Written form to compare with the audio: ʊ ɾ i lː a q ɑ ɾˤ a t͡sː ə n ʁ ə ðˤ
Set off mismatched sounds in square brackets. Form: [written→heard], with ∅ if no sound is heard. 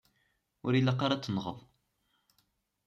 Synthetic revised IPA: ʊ ɾ i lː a q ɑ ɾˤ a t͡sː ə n ʁ ə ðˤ